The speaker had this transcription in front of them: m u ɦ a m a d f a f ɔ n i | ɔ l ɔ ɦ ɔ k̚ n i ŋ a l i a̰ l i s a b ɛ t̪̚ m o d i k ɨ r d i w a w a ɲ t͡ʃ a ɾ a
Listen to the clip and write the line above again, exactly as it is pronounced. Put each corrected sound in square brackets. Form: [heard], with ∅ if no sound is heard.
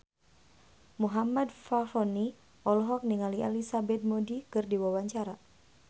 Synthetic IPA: m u ɦ a m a d f a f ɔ n i | ɔ l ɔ ɦ ɔ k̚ n i ŋ a l i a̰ l i s a b ɛ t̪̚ m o d i k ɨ r d i w a w a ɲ t͡ʃ a ɾ a

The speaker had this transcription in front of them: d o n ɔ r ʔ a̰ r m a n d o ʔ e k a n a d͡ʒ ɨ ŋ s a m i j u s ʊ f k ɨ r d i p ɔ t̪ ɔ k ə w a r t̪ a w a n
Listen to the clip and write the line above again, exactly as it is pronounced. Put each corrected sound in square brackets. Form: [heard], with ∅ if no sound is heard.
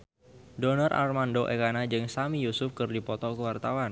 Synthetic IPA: d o n ɔ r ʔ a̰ r m a n d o ʔ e k a n a d͡ʒ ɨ ŋ s a m i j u s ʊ f k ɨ r d i p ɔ t̪ ɔ k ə w a r t̪ a w a n

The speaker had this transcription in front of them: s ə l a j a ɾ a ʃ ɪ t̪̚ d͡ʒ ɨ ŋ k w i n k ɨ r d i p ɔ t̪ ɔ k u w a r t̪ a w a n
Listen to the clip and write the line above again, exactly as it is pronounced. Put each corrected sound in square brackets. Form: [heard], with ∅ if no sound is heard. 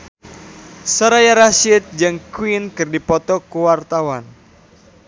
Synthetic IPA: s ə [ɾ] a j a ɾ a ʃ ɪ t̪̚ d͡ʒ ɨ ŋ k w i n k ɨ r d i p ɔ t̪ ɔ k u w a r t̪ a w a n

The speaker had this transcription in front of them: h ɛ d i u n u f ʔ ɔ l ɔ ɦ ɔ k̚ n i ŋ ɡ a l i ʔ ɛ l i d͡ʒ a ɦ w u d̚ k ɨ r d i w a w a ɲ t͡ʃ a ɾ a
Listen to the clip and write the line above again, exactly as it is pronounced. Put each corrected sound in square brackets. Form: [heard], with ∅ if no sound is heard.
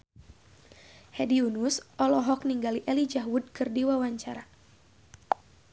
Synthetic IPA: h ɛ d i u n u [s] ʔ ɔ l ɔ ɦ ɔ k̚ n i ŋ ɡ a l i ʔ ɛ l i d͡ʒ a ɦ w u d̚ k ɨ r d i w a w a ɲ t͡ʃ a ɾ a

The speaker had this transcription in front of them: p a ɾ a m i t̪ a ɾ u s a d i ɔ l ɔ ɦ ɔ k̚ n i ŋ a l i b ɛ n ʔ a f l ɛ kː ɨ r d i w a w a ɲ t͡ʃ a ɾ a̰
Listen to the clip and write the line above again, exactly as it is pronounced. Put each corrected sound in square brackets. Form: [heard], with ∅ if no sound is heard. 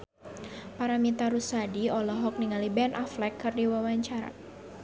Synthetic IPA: p a ɾ a m i t̪ a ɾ u s a d i ɔ l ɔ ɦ ɔ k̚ n i ŋ a l i b ɛ n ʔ a f l ɛ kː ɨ r d i w a w a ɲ t͡ʃ a ɾ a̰

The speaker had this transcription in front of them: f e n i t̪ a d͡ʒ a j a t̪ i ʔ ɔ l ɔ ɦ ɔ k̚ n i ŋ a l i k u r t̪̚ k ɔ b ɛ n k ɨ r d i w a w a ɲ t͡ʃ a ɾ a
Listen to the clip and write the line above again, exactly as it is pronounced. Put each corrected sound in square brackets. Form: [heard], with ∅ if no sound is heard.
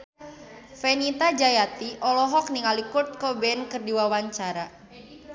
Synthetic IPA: f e n i t̪ a d͡ʒ a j a t̪ i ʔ ɔ l ɔ ɦ ɔ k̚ n i ŋ a l i k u r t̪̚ k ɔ b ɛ n k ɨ r d i w a w a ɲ t͡ʃ a ɾ a

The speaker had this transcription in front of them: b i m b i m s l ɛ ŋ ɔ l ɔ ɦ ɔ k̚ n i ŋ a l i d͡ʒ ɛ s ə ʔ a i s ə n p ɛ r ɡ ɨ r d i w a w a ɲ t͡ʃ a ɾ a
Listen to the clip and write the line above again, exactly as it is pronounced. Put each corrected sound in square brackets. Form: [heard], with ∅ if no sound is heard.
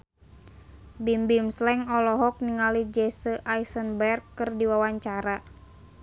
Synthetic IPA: b i m b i m s l ɛ ŋ ɔ l ɔ ɦ ɔ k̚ n i ŋ a l i d͡ʒ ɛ s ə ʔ a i s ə n [b] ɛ r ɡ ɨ r d i w a w a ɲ t͡ʃ a ɾ a

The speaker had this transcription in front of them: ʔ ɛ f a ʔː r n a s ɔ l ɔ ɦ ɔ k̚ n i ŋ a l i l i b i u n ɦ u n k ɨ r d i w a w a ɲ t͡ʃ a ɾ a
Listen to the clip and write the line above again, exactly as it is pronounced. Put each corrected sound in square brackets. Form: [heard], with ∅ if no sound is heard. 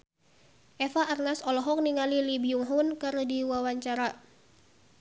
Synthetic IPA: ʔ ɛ f a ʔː r n a s ɔ l ɔ ɦ ɔ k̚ n i ŋ a l i l i b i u [ŋ] ɦ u n k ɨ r d i w a w a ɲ t͡ʃ a ɾ a

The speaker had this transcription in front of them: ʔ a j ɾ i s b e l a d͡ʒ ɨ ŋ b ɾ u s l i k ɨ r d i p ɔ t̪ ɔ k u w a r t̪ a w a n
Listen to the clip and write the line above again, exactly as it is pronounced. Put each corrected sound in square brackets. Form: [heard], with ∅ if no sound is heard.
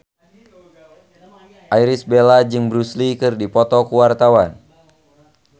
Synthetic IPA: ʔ a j ɾ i s b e l a d͡ʒ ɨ ŋ b ɾ u s l i k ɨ r d i p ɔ t̪ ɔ k u w a r t̪ a w a n

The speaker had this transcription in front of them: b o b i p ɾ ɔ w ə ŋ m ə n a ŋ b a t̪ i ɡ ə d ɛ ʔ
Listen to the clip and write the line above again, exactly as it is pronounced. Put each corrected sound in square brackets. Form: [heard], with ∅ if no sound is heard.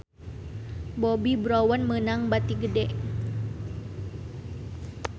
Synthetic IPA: b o b i [b] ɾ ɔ w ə [n] m ə n a ŋ b a t̪ i ɡ ə d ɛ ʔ

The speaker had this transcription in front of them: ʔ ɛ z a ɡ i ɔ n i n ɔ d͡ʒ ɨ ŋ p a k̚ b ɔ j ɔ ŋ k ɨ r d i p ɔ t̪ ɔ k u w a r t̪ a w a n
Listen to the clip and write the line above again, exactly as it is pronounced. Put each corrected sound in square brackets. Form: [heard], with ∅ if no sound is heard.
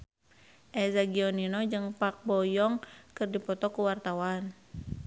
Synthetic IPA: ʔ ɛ z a ɡ i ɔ n i n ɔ d͡ʒ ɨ ŋ p a k̚ b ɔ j ɔ ŋ k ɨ r d i p ɔ t̪ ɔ k u w a r t̪ a w a n

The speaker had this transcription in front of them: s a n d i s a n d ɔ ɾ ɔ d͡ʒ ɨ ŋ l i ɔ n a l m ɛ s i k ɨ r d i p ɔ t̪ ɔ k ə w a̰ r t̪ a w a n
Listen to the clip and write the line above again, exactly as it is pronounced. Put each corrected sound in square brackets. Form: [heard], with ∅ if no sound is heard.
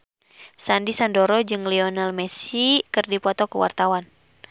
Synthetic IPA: s a n d i s a n d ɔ ɾ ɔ d͡ʒ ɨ ŋ l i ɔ n a l m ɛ s i k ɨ r d i p ɔ t̪ ɔ k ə w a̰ r t̪ a w a n

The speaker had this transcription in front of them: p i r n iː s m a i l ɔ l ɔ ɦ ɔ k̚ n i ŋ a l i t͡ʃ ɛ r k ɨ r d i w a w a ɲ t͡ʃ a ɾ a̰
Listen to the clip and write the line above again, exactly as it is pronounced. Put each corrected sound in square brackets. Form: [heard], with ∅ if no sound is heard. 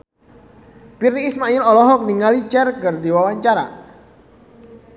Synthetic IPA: p i r n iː s m a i l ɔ l ɔ ɦ ɔ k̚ n i ŋ a l i t͡ʃ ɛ r k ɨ r d i w a w a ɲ t͡ʃ a ɾ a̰

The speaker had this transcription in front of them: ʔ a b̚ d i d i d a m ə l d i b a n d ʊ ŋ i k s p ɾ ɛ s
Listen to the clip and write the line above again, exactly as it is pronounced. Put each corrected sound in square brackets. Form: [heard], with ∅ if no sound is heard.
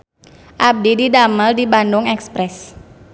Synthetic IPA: ʔ a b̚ d i d i d a m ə l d i b a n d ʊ ŋ [ɛ] k s p ɾ ɛ s

